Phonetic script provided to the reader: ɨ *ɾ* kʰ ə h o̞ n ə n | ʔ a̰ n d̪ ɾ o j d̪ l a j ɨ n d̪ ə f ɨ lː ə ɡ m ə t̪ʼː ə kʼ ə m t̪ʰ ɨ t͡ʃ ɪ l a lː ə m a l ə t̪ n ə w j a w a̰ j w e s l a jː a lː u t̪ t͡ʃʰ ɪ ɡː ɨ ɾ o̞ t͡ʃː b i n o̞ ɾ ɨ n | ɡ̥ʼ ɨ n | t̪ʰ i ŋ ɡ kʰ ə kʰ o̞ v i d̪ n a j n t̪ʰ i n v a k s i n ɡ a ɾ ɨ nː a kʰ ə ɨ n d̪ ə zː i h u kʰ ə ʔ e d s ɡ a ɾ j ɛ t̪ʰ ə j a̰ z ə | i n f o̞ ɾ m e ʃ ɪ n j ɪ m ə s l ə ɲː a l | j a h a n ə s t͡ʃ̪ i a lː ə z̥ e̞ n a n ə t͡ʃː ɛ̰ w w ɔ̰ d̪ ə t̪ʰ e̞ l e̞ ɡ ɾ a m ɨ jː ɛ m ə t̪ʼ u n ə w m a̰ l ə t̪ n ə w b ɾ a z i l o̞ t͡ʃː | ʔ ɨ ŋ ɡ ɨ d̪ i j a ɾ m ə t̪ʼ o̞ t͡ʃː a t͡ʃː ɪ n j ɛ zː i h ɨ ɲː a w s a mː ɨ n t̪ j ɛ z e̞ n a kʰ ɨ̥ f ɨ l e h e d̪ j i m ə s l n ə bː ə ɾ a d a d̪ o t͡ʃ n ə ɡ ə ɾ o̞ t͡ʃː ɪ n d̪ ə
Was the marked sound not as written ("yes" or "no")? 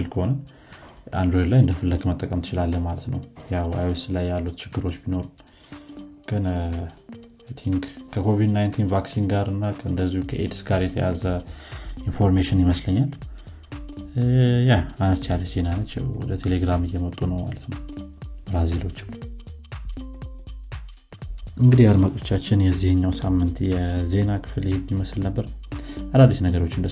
yes